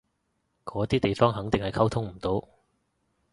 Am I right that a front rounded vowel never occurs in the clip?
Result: yes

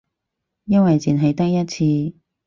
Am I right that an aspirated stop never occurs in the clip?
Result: no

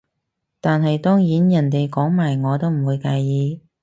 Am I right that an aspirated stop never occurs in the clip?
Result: yes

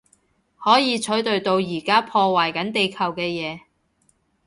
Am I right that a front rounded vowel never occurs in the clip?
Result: yes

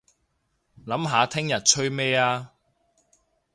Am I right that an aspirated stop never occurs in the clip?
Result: no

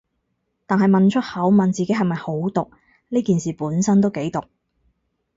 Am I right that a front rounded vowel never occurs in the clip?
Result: yes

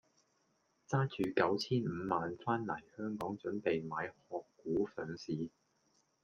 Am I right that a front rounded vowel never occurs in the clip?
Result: no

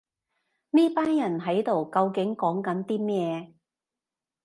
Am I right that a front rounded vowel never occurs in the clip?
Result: yes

